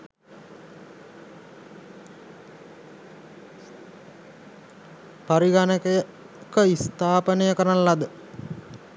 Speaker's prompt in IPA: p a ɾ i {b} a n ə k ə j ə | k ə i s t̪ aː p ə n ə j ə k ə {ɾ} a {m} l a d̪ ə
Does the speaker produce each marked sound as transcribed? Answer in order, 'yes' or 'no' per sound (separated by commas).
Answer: no, yes, no